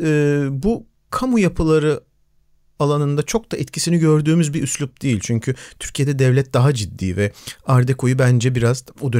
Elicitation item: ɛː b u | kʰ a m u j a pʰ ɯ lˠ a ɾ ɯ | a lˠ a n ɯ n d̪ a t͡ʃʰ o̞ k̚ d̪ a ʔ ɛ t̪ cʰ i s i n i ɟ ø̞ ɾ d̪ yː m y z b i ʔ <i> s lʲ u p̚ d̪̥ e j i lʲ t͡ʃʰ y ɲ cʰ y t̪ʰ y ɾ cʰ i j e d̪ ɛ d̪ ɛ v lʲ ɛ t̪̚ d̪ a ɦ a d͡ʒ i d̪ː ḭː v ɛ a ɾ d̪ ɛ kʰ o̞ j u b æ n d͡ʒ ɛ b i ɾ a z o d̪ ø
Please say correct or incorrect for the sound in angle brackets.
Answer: incorrect